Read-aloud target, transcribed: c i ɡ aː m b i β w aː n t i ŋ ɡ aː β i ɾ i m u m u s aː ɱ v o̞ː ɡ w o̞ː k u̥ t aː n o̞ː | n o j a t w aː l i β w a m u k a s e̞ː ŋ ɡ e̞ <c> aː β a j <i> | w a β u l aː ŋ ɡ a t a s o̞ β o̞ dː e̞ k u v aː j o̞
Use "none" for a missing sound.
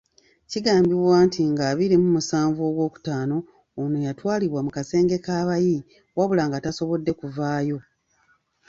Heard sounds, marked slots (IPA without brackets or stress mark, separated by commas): k, i